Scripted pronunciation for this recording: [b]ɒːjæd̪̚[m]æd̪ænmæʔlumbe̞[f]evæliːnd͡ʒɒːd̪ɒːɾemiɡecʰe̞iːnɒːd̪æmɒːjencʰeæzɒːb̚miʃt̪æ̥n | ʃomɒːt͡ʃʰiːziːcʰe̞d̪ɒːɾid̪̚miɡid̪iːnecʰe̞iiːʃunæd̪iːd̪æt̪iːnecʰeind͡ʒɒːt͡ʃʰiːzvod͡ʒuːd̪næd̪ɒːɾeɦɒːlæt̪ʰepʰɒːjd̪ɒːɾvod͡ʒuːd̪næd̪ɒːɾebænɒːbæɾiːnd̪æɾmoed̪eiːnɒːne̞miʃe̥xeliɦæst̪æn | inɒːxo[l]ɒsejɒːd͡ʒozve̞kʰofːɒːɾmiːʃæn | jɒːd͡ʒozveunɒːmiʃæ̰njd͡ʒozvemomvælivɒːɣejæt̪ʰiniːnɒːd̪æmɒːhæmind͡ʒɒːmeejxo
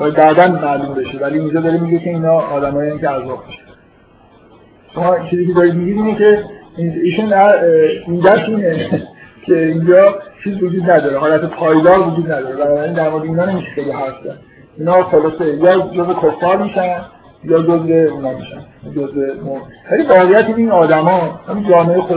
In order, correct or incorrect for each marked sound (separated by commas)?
correct, incorrect, incorrect, correct